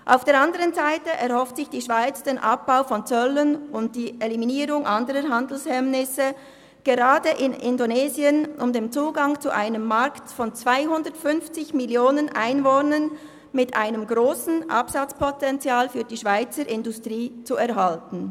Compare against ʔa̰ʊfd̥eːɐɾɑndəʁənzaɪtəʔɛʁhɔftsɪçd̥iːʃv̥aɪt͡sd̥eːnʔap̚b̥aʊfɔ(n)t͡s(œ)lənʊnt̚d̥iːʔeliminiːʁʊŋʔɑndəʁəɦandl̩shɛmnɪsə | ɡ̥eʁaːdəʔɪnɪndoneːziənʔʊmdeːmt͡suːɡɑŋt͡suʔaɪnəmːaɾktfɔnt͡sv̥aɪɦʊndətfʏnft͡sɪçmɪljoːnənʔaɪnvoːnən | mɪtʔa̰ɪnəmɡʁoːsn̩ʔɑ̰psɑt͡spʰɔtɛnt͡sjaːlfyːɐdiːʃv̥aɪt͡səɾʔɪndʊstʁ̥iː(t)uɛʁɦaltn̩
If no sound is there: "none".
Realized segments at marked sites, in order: n, œ, t͡s

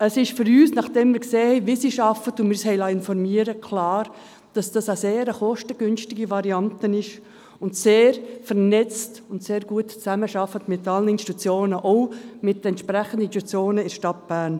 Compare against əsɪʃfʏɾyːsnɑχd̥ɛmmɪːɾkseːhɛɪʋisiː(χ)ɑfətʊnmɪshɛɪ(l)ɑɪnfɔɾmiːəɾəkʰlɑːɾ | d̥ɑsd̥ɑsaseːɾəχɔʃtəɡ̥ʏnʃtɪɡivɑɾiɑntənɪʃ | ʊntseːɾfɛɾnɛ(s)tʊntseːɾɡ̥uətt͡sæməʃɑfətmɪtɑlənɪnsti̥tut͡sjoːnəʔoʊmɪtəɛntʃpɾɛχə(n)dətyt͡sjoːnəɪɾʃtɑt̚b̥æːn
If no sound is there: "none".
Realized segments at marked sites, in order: ʃ, l, t͡s, n

